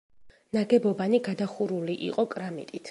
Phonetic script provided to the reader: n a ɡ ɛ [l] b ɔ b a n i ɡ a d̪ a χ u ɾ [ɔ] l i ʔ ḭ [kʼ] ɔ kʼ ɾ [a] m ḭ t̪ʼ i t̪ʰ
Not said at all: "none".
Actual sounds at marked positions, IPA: none, u, qʼ, a

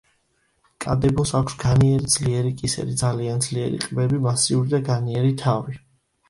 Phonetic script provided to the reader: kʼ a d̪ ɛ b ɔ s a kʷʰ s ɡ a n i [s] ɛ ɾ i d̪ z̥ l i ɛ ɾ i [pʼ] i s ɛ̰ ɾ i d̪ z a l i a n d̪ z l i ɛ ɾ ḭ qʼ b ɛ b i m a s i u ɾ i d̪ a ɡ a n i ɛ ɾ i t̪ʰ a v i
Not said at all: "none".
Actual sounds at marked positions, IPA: none, kʼ

